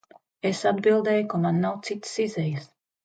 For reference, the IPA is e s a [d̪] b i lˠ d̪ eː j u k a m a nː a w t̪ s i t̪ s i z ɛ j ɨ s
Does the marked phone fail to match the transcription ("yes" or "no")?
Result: no